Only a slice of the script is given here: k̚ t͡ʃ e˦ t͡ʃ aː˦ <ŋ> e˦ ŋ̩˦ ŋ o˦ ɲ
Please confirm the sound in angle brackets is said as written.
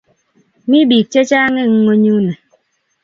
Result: yes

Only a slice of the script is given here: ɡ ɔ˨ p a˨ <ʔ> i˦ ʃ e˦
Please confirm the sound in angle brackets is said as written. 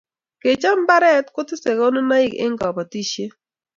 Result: no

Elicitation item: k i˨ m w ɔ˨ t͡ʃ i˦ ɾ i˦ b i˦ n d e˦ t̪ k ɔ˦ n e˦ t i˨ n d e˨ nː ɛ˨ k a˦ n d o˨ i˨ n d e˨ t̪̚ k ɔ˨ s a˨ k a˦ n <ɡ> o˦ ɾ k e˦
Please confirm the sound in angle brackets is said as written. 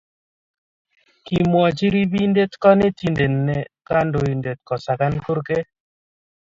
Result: no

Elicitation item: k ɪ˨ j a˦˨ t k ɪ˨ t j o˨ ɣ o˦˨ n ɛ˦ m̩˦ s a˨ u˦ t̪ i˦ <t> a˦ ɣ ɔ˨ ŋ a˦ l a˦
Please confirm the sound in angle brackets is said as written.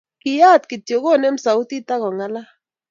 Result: yes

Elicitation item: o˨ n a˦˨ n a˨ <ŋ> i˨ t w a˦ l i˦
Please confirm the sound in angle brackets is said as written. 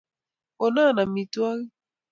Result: no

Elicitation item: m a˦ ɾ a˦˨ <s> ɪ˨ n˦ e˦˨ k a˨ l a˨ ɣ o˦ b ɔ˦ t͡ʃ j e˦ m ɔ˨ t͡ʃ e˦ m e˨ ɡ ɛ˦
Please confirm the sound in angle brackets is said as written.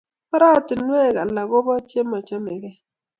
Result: no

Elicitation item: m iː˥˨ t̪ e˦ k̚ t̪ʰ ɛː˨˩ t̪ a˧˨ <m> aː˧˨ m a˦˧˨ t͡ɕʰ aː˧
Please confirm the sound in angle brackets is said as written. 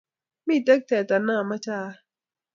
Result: no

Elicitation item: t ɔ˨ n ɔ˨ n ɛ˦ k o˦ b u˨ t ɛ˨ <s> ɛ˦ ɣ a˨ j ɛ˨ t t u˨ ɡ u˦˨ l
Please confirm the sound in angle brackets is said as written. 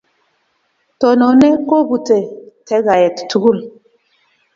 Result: no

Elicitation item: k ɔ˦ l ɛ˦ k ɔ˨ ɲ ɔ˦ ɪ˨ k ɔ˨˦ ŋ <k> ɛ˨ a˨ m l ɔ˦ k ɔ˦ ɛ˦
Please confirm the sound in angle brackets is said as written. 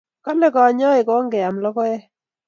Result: no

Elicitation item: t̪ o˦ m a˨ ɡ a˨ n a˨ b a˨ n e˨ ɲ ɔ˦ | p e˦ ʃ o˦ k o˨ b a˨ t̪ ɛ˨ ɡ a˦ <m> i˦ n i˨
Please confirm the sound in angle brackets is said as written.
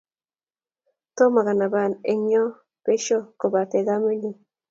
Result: yes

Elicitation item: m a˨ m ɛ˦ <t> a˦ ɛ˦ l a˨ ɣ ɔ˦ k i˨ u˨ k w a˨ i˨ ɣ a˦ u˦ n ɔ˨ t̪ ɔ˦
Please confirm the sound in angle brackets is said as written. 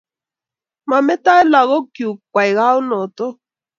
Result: yes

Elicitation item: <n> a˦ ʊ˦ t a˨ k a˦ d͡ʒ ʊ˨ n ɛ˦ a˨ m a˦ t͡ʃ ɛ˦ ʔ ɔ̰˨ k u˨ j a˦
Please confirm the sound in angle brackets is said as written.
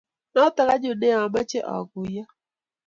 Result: yes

